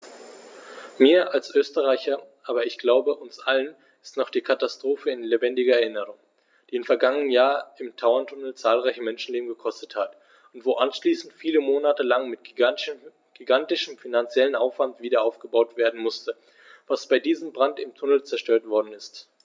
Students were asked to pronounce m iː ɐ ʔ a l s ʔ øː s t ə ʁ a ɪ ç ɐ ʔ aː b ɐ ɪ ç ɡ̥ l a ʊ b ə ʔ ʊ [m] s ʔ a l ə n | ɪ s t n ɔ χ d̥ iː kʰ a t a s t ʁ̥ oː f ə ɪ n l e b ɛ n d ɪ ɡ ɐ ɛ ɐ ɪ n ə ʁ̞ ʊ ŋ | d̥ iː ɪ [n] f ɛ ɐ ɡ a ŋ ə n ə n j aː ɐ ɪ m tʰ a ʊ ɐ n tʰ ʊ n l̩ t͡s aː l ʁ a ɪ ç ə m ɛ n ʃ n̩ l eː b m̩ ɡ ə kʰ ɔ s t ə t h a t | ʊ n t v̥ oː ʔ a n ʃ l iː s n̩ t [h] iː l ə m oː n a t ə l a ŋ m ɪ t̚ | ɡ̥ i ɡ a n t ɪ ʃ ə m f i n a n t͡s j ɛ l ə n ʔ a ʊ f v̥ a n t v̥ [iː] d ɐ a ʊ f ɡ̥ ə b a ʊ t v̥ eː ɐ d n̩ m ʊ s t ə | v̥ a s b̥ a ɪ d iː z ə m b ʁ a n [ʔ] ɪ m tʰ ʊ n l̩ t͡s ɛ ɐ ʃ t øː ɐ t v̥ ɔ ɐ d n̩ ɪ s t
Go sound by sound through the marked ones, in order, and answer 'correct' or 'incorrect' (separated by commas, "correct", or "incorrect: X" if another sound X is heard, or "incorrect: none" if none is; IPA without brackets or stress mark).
incorrect: n, incorrect: m, incorrect: f, correct, incorrect: t